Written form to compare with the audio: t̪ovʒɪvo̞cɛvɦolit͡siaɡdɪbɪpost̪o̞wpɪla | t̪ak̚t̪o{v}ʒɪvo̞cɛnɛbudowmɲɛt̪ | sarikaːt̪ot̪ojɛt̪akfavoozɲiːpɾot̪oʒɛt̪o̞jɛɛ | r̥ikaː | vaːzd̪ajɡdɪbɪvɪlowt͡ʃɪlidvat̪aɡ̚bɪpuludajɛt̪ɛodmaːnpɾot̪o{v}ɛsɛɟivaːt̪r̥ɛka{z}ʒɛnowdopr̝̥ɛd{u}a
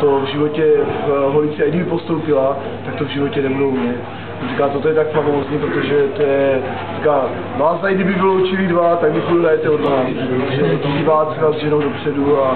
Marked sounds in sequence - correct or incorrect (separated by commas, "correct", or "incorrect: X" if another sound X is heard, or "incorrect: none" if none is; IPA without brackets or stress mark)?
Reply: correct, incorrect: ʒ, correct, correct